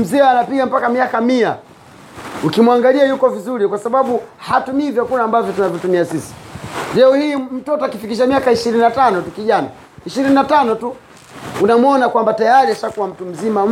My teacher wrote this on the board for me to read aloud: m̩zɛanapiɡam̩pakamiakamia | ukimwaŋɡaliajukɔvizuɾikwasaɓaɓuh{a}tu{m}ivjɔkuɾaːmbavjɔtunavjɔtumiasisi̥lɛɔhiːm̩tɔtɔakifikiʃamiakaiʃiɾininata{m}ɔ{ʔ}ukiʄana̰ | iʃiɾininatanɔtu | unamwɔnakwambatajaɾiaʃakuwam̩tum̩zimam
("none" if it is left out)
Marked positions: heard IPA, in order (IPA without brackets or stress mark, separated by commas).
a, m, n, t